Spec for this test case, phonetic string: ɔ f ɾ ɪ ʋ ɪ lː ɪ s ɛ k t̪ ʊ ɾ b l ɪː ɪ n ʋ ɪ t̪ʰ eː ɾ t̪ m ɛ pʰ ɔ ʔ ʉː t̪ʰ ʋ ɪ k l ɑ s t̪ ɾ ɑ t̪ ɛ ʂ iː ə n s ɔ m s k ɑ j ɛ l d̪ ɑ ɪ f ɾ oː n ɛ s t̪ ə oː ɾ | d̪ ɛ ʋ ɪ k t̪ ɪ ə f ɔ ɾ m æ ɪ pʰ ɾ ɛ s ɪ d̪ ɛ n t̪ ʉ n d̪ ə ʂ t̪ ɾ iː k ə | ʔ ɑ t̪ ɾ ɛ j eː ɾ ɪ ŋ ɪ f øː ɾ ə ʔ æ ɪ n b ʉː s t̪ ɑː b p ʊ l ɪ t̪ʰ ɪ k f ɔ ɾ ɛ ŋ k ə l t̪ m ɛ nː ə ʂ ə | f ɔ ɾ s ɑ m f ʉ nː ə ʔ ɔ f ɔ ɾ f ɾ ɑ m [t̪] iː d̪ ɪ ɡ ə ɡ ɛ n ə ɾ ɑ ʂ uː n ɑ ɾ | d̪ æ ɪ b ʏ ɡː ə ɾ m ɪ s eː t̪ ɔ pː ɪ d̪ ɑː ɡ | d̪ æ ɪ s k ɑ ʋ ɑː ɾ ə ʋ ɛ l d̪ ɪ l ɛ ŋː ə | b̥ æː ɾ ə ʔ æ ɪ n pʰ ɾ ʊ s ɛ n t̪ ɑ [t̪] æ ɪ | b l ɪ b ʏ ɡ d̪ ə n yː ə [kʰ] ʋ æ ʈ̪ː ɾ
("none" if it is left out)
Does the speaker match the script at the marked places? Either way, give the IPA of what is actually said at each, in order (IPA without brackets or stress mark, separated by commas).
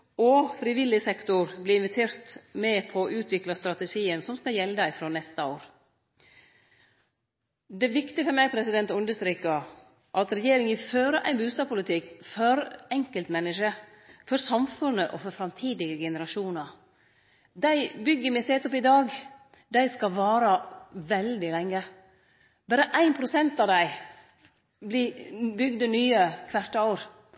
t̪ʰ, d̪, kʰ